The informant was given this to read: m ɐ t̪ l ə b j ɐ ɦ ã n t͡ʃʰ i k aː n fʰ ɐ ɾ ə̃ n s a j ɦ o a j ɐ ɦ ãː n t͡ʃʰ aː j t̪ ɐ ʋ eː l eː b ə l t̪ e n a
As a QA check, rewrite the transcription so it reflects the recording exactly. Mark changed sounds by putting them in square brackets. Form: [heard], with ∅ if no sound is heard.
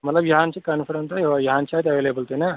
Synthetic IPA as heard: m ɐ t̪ l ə b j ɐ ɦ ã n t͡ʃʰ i k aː n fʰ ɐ ɾ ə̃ n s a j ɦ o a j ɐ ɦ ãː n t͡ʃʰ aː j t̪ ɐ ʋ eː l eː b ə l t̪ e n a